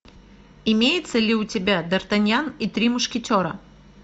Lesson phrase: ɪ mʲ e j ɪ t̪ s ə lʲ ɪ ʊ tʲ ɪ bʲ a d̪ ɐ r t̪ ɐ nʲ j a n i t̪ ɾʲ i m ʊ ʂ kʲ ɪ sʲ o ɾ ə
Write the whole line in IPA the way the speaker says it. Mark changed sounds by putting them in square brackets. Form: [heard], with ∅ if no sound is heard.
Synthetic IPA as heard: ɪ mʲ e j ɪ t̪ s ə lʲ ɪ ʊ tʲ ɪ bʲ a d̪ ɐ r t̪ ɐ nʲ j a n i t̪ ɾʲ i m ʊ ʂ kʲ ɪ [tʲ] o ɾ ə